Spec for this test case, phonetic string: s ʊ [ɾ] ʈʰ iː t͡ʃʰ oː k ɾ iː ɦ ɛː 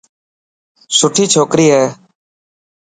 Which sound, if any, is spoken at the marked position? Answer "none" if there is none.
none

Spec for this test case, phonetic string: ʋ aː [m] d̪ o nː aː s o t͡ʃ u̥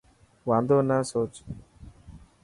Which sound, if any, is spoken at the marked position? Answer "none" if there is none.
n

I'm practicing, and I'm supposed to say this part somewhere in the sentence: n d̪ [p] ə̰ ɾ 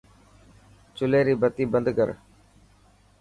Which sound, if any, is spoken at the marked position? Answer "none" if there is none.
k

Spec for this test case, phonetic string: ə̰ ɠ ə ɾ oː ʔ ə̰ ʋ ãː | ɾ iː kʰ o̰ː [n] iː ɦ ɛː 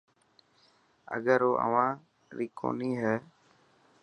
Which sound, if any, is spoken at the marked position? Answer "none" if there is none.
n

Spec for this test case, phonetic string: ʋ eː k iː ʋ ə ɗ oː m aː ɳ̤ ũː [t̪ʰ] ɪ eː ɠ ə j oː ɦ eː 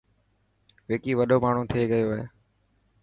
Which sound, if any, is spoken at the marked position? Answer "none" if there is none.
t̪ʰ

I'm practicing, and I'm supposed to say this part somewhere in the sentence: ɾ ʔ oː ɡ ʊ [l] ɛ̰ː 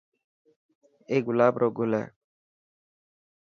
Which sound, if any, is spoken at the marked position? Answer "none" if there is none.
l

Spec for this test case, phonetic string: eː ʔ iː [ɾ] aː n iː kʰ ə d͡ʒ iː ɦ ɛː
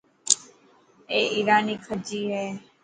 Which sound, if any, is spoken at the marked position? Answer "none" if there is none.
ɾ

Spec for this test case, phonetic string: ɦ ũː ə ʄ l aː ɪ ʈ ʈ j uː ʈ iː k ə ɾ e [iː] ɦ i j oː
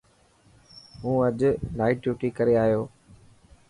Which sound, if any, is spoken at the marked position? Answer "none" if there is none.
aː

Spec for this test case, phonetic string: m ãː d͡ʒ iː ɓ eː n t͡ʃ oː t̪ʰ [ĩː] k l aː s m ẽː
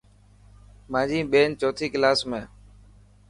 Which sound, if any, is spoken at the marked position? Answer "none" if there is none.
iː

